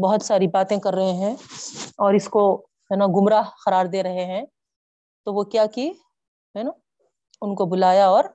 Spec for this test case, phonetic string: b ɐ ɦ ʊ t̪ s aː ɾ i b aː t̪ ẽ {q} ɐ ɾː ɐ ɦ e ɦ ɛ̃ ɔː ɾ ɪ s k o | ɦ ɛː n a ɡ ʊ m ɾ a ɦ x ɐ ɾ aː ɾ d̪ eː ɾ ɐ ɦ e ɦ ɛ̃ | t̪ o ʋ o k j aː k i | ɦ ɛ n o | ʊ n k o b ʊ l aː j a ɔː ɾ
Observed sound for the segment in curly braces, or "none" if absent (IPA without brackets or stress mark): k